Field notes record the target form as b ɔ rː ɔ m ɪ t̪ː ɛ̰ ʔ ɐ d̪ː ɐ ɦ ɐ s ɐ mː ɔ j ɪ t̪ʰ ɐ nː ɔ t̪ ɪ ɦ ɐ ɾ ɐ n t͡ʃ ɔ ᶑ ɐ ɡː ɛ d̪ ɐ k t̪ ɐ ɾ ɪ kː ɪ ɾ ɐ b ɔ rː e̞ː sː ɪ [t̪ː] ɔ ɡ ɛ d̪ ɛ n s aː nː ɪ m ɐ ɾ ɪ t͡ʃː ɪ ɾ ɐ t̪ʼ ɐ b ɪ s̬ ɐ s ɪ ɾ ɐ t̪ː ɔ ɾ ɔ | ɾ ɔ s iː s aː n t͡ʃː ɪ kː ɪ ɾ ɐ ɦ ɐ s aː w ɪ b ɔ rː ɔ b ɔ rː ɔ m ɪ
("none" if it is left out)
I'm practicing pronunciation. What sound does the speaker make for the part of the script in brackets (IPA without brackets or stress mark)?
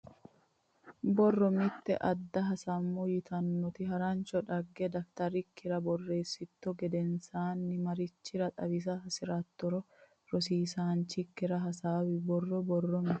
t̪ː